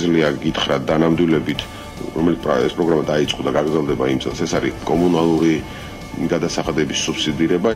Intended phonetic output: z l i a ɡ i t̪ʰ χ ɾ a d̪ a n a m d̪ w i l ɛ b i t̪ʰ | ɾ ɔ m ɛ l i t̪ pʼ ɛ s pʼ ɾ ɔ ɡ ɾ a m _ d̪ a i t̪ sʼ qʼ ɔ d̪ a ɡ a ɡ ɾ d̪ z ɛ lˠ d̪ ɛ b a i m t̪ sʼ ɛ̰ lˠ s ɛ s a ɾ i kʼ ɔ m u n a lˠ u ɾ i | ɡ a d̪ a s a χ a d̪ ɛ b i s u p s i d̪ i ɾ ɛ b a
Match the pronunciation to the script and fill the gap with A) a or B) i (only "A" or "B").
A